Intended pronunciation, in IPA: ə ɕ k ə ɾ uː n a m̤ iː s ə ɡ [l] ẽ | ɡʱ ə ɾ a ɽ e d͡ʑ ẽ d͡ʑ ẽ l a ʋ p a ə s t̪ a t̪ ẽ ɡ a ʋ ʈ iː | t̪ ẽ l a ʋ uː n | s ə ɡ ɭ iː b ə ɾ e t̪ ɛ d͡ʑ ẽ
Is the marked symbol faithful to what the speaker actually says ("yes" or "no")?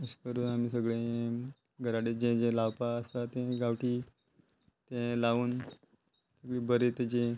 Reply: no